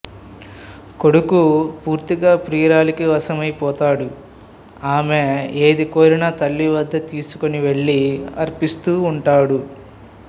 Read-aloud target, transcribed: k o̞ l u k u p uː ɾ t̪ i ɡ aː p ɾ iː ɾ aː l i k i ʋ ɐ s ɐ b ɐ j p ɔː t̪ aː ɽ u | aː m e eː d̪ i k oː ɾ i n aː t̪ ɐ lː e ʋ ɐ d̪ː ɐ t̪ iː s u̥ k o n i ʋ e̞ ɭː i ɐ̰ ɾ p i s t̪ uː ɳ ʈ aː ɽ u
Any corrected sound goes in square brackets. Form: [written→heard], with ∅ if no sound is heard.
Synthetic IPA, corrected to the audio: k o̞ [l→ɽ] u k u p uː ɾ t̪ i ɡ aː p ɾ iː ɾ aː l i k i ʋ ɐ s ɐ [b→m] ɐ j p ɔː t̪ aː ɽ u | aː m e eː d̪ i k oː ɾ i n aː t̪ ɐ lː [e→i] ʋ ɐ d̪ː ɐ t̪ iː s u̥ k o n i ʋ e̞ ɭː i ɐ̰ ɾ p i s t̪ uː ɳ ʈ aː ɽ u